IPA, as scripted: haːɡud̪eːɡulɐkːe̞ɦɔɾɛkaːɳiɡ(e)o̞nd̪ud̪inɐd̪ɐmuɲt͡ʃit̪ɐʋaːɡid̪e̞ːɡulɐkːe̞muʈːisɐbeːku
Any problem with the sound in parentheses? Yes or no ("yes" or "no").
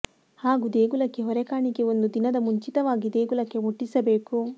no